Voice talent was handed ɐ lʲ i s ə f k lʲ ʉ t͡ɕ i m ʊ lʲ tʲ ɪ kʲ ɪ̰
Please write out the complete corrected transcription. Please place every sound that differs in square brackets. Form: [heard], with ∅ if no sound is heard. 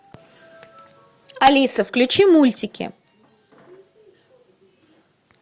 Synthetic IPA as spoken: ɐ lʲ i s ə f k lʲ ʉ t͡ɕ i m [u] lʲ tʲ ɪ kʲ ɪ̰